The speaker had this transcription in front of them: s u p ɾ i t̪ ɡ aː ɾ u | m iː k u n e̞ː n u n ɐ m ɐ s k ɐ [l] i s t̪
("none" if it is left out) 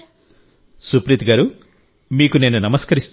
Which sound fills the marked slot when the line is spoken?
ɾ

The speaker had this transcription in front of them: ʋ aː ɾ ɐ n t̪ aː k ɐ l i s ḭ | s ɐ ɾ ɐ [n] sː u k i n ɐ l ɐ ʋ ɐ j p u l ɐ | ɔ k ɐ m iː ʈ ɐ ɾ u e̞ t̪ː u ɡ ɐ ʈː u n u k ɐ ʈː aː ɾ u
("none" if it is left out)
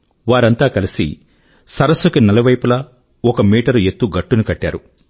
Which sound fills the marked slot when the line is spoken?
none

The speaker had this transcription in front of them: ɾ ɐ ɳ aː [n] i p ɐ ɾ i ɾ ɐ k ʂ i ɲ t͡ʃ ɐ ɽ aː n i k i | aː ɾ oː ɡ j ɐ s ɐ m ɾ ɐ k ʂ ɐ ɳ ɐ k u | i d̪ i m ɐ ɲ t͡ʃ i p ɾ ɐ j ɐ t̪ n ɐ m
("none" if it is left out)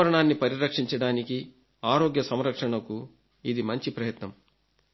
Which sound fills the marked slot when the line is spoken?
nː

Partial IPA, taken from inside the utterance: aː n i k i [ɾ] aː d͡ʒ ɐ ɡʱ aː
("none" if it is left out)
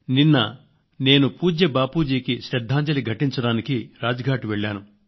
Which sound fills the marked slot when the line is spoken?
ɾ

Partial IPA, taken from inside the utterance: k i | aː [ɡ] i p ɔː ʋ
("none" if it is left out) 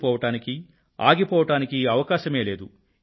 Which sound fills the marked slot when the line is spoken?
ɡ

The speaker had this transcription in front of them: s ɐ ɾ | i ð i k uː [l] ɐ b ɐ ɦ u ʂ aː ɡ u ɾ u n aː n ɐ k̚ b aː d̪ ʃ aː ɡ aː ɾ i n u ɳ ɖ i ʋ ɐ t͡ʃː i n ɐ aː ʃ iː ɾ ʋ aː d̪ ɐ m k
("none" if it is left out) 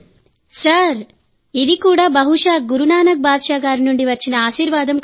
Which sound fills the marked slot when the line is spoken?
ɽ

